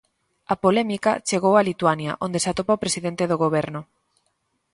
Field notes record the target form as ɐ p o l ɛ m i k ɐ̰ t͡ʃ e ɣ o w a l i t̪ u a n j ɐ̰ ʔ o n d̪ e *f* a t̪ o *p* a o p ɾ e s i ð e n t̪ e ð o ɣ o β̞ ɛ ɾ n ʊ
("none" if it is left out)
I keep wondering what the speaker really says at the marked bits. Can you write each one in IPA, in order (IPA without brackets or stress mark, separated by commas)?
s, p